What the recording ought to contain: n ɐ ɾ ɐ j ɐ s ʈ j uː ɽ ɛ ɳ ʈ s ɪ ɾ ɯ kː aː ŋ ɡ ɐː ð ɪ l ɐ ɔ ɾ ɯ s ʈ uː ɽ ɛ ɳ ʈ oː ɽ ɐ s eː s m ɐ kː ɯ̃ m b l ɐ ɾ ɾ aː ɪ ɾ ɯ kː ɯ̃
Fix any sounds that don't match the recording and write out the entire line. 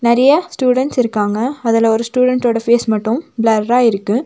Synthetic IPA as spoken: n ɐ ɾ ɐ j ɐ s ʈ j uː ɽ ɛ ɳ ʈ s ɪ ɾ ɯ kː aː ŋ ɡ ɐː ð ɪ l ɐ ɔ ɾ ɯ s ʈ uː ɽ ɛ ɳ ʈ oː ɽ ɐ f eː s m ɐ ʈː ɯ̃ m b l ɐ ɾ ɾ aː ɪ ɾ ɯ kː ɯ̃